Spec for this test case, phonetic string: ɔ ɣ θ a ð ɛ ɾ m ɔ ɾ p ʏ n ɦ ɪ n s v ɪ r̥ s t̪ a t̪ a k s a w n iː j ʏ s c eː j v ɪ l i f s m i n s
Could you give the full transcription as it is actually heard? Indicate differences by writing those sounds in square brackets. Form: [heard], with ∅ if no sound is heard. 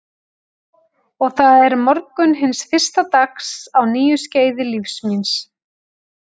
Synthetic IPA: ɔ ɣ θ a ð ɛ ɾ m ɔ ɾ [k] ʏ n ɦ ɪ n s [f] ɪ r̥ s t̪ a t̪ a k s a w n iː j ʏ s c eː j [ð] ɪ l i f s m i n s